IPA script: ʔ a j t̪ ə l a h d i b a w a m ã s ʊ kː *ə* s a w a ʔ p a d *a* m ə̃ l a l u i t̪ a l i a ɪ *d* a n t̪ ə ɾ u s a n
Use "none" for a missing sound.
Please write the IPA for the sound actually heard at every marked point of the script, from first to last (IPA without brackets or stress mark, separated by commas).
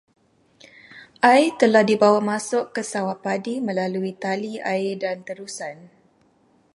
ə, i, d